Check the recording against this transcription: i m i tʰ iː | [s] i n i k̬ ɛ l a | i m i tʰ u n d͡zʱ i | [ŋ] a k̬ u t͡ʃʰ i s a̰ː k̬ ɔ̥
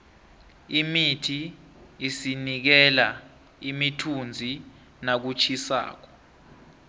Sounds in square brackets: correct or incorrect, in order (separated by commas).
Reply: correct, incorrect